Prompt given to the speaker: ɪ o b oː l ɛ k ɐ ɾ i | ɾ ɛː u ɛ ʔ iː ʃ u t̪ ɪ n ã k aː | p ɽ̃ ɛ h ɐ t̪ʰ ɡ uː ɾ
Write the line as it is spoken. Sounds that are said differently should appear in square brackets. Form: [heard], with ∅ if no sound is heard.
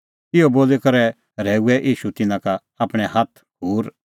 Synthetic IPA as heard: ɪ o b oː l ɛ k ɐ ɾ [ɛ] | ɾ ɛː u ɛ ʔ iː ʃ u t̪ ɪ n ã k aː | p ɽ̃ ɛ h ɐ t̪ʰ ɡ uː ɾ